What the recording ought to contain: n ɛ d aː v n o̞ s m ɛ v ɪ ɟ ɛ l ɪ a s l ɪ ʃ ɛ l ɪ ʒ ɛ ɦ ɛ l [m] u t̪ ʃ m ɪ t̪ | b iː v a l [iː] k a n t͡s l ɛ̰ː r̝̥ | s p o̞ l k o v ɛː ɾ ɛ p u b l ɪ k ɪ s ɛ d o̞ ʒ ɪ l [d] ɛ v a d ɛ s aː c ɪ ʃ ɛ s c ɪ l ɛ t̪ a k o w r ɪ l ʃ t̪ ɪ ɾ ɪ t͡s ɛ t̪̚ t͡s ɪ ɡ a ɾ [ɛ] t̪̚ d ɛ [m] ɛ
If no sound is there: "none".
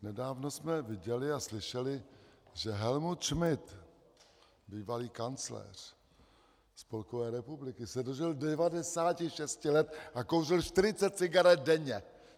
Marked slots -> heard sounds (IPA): m, iː, d, ɛ, ɲ

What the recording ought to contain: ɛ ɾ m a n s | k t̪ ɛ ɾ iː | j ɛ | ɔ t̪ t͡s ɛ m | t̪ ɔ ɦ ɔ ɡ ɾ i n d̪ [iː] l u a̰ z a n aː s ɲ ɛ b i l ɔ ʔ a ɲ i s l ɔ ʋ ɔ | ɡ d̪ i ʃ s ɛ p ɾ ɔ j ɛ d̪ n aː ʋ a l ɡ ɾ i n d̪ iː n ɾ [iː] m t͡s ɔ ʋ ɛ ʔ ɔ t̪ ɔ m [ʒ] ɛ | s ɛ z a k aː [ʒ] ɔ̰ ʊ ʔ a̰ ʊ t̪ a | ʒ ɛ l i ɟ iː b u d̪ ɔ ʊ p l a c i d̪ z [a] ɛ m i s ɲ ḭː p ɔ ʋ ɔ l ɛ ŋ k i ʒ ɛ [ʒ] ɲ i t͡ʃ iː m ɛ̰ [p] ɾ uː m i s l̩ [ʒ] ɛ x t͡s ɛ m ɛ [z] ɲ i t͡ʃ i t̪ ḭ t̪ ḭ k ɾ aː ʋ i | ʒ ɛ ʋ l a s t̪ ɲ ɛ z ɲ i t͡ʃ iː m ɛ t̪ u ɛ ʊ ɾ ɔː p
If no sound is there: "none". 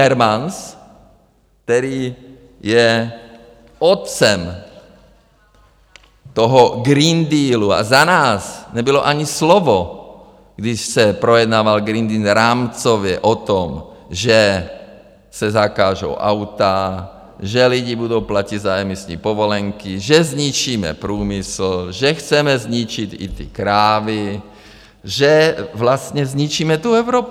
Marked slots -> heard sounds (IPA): iː, aː, ʒ, ʒ, a, z, p, ʒ, z

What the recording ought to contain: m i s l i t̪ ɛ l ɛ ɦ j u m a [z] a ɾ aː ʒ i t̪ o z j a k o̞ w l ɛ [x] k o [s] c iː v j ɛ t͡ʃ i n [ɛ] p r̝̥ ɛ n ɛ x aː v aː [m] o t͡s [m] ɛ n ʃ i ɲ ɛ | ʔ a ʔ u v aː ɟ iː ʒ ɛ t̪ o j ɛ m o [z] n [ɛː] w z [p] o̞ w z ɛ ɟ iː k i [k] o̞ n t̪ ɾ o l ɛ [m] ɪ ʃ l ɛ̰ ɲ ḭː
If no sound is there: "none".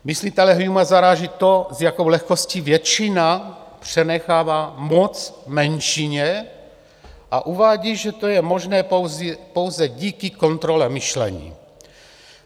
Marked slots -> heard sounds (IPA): z, x, s, a, m, m, ʒ, ɛː, p, k, m

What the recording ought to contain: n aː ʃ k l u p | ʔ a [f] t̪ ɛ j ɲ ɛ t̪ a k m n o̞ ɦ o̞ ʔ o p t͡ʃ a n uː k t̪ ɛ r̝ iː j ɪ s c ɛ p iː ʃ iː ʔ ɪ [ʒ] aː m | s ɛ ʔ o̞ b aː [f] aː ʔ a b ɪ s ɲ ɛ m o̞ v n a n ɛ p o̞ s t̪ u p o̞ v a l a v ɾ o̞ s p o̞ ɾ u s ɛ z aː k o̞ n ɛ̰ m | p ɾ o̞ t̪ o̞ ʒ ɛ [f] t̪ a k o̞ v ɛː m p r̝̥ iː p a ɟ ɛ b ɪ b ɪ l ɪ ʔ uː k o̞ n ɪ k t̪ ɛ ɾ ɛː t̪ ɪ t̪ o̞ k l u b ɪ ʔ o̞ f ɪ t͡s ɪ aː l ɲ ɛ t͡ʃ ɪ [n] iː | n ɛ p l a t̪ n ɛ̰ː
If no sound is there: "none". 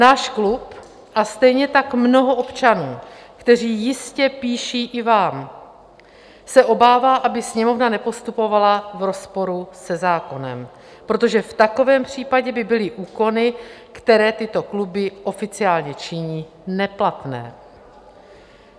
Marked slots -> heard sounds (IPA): s, v, v, f, ɲ

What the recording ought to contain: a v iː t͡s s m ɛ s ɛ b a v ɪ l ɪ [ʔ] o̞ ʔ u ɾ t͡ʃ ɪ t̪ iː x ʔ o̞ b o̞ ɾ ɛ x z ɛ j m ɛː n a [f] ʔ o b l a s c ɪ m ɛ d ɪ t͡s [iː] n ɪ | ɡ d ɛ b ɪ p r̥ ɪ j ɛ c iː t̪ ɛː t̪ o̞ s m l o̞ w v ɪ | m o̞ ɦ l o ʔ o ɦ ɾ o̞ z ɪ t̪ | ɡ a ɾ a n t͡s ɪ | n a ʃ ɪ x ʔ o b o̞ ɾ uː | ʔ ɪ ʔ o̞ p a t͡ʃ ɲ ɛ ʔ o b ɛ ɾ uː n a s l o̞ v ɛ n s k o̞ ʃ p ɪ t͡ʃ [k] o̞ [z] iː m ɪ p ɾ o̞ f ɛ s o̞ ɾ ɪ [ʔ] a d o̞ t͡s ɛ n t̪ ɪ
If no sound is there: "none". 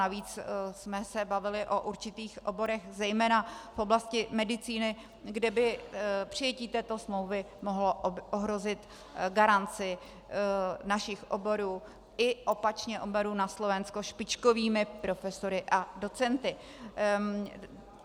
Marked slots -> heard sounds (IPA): ʔ, f, iː, k, v, ʔ

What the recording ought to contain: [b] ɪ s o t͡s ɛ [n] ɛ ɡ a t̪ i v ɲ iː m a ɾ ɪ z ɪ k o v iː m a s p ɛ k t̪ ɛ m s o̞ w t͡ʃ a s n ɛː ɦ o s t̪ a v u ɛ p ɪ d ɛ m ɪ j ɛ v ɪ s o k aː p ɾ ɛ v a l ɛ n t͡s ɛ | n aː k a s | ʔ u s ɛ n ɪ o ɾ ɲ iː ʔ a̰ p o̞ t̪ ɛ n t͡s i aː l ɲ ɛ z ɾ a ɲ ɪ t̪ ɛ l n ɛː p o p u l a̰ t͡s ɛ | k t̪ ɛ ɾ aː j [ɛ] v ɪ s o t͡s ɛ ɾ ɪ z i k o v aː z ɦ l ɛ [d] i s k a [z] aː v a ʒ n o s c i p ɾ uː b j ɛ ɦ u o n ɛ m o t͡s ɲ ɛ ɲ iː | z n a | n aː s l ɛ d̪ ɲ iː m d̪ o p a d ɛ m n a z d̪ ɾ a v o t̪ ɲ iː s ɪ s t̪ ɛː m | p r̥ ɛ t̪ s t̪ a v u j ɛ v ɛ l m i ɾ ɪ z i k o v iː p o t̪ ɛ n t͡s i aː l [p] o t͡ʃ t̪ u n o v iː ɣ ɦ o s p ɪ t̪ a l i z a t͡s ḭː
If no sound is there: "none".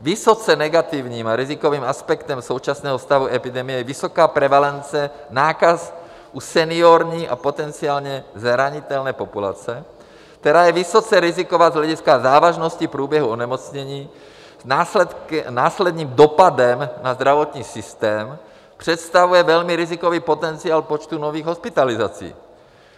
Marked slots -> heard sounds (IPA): v, n, ɛ, ɟ, z, p

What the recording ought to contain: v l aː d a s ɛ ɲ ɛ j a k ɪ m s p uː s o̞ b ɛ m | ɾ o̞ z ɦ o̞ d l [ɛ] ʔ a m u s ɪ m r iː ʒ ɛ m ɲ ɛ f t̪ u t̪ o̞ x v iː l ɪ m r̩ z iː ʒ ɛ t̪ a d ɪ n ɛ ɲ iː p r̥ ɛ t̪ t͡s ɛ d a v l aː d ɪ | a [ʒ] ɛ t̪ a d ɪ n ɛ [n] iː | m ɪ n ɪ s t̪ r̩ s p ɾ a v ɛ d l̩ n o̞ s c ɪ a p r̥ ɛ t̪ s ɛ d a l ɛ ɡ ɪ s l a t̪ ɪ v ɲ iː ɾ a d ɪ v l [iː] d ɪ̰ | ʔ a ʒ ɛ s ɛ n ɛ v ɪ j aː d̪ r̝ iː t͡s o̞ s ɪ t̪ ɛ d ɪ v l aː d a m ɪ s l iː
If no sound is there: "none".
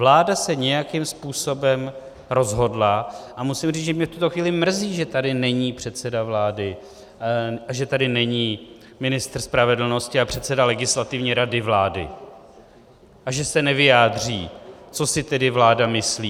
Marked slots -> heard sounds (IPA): a, ʒ, ɲ, aː

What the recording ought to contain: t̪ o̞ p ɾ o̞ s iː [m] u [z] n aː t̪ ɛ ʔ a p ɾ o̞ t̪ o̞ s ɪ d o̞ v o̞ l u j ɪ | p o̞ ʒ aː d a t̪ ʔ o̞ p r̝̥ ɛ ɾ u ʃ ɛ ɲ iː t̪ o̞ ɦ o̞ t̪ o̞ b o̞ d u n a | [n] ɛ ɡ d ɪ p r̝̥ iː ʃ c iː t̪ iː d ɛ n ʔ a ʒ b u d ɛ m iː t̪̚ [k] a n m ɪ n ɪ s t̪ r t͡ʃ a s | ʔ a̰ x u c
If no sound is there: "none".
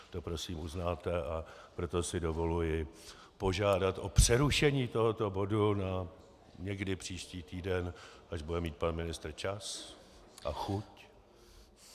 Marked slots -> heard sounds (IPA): m, z, ɲ, p

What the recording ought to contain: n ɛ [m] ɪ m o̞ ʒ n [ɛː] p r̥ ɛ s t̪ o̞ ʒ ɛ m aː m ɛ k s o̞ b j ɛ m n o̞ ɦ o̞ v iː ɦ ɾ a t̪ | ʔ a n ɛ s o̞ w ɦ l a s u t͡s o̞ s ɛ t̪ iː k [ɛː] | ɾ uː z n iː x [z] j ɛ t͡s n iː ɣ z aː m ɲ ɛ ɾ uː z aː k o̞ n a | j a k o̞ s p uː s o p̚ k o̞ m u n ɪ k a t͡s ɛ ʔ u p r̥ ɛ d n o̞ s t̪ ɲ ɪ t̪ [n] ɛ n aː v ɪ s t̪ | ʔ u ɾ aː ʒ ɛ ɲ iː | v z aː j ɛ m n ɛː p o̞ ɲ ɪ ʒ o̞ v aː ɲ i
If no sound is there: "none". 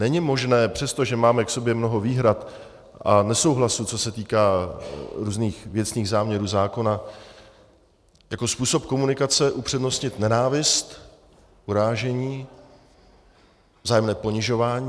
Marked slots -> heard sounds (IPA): ɲ, ɛː, aː, v, n

